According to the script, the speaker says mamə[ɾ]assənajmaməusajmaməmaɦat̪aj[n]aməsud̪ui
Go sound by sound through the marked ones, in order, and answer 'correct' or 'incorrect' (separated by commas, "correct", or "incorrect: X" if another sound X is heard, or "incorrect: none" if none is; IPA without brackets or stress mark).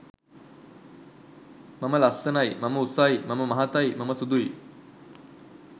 incorrect: l, incorrect: m